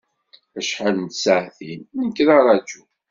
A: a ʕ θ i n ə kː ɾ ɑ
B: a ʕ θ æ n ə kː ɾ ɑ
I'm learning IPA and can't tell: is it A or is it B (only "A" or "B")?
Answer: A